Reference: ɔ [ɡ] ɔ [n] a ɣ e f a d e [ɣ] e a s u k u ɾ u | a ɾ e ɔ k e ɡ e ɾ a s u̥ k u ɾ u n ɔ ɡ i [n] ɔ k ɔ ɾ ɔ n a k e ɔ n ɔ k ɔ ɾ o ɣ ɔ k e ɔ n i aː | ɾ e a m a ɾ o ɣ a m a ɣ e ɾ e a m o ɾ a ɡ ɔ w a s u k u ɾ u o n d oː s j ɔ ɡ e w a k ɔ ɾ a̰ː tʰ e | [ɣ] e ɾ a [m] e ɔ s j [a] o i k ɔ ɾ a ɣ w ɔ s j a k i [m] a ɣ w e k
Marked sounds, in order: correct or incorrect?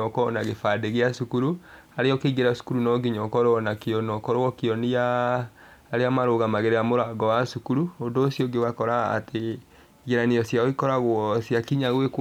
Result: incorrect: k, correct, correct, incorrect: ɲ, correct, incorrect: n, correct, incorrect: ɲ

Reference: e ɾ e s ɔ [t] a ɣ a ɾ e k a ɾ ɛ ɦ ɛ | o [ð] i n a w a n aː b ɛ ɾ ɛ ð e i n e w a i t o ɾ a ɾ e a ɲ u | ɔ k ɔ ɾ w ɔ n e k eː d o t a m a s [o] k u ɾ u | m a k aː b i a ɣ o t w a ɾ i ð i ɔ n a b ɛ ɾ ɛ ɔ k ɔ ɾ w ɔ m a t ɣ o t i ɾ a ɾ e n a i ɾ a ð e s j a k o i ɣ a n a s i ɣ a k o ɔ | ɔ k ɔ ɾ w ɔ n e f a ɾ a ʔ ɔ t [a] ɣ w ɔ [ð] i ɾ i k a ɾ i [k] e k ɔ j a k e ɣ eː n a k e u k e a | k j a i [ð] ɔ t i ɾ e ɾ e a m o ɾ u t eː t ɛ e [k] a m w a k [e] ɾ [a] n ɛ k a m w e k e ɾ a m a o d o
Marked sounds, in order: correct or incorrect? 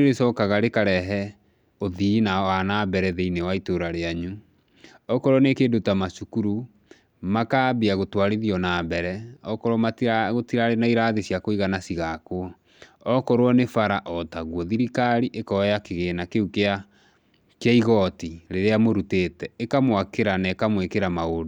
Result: incorrect: k, correct, incorrect: u, correct, correct, incorrect: ʔ, incorrect: ɣ, correct, correct, correct

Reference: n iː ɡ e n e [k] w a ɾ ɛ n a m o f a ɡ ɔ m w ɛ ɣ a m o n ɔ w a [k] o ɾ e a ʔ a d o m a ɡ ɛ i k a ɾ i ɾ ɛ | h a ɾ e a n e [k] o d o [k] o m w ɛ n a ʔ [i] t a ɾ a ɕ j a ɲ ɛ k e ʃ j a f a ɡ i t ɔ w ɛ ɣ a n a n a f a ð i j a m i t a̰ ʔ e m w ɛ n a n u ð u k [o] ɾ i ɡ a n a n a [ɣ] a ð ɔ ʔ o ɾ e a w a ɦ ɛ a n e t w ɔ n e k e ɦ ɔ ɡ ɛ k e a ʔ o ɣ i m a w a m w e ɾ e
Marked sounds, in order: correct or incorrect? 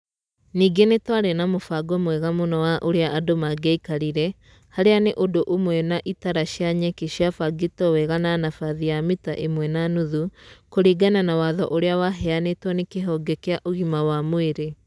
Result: incorrect: t, incorrect: ʔ, incorrect: ʔ, incorrect: ʔ, correct, correct, incorrect: w

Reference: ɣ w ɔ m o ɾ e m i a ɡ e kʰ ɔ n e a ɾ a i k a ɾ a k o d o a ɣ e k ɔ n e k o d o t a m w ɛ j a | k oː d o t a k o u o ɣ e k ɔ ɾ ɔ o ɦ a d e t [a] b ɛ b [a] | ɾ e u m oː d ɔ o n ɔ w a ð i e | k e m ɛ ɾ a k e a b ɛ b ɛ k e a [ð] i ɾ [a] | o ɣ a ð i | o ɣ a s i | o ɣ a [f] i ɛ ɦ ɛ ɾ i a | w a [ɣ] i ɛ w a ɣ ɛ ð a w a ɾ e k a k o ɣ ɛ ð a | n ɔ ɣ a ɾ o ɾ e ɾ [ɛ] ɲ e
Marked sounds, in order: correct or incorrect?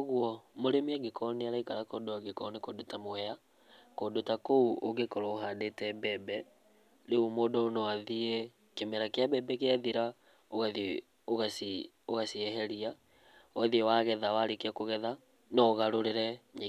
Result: incorrect: ɛ, incorrect: ɛ, correct, correct, incorrect: s, incorrect: ð, correct

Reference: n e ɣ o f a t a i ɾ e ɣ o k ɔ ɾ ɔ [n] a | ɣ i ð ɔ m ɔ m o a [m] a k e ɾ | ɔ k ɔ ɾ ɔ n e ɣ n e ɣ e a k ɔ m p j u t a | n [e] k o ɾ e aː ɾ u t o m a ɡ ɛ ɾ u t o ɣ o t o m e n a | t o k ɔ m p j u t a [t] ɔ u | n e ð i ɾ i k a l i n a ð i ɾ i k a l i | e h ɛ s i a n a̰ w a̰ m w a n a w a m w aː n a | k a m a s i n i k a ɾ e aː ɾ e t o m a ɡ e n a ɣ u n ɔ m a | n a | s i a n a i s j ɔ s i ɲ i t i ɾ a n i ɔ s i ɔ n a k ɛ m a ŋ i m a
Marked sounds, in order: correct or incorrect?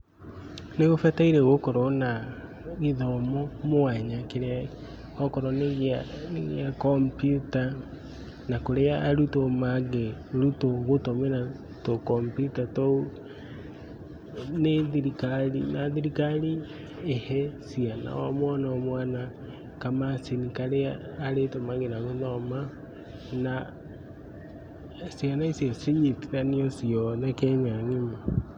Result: correct, incorrect: ɲ, incorrect: a, correct

